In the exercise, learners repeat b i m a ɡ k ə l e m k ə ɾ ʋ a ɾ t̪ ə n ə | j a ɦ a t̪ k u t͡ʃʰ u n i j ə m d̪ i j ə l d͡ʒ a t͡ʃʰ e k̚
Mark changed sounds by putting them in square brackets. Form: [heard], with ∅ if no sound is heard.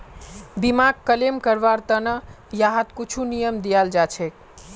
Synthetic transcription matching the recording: b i m a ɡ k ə l e m k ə ɾ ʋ a ɾ t̪ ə n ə | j a ɦ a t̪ k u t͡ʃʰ u n i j ə m d̪ i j [a] l d͡ʒ a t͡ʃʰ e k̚